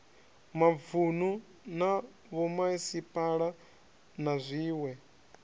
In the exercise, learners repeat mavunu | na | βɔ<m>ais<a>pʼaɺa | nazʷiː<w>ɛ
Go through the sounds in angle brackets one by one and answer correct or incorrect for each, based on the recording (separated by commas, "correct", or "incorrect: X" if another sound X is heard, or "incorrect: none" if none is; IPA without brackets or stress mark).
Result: correct, incorrect: i, correct